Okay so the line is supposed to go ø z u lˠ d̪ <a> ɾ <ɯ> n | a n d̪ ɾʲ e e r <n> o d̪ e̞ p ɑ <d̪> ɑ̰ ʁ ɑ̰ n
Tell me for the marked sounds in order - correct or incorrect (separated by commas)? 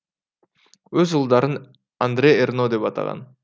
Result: incorrect, correct, correct, incorrect